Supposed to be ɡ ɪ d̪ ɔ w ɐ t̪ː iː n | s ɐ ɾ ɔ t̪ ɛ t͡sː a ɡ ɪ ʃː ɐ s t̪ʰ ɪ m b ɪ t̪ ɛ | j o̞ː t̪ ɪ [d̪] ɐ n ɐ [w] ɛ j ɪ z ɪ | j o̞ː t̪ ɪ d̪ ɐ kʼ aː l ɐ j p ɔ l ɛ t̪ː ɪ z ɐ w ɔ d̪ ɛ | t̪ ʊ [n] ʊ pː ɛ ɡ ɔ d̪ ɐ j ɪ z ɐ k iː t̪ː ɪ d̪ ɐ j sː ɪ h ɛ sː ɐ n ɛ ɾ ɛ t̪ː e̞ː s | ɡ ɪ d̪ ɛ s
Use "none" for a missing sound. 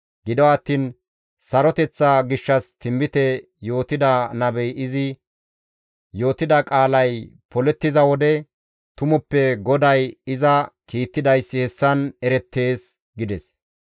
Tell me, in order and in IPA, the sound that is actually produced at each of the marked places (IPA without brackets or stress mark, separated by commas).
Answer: d̪, b, m